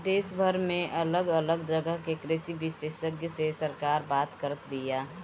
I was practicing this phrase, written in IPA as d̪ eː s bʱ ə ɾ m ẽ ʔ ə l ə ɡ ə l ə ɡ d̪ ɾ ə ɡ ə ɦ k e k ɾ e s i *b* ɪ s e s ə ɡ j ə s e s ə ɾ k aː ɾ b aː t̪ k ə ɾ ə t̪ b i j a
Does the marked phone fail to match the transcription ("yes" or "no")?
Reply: no